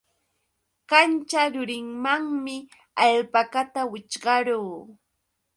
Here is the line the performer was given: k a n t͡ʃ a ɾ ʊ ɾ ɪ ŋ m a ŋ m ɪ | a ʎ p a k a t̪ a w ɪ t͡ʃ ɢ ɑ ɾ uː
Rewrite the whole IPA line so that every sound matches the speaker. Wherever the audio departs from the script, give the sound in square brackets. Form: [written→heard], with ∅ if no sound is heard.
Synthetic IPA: k a n t͡ʃ a ɾ ʊ ɾ ɪ ŋ m a ŋ m ɪ | a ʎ p a k a t̪ a w ɪ t͡ʃ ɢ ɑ ɾ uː